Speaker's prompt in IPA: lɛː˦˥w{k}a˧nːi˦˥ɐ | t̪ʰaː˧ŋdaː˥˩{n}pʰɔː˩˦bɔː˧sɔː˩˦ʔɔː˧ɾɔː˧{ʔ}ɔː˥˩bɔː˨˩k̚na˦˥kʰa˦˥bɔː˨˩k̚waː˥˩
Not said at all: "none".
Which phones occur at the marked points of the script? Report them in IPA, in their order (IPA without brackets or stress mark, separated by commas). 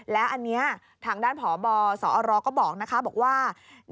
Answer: ʔ, n, k